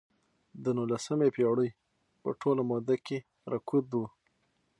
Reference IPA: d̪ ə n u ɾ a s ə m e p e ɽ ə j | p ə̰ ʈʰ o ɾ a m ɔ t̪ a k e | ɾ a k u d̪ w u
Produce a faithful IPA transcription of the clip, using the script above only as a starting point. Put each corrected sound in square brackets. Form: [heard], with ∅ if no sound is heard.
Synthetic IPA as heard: d̪ ə n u [l] a s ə m e p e ɽ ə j | p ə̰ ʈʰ o [l] a m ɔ [d̪] a k e | ɾ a k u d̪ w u